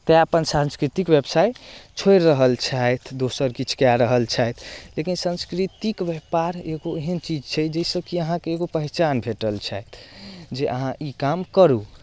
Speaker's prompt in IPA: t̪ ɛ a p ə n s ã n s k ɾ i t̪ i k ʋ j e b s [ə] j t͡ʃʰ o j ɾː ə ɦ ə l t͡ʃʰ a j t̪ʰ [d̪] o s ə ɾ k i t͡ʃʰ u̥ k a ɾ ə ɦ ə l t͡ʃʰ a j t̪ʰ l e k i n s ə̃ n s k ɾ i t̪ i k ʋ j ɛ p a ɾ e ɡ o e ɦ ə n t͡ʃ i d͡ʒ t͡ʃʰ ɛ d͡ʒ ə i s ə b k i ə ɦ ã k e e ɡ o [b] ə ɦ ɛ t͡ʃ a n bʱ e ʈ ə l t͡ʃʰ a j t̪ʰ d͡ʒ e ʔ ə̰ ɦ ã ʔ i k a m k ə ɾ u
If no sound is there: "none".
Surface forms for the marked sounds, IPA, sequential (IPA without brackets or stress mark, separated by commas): a, d̪, p